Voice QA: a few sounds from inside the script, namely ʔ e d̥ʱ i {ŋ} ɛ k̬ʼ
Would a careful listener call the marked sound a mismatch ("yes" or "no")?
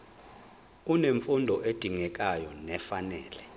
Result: no